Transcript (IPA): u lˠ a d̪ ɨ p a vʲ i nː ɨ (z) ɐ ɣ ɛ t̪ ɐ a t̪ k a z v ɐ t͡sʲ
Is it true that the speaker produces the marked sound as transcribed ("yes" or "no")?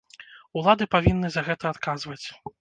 yes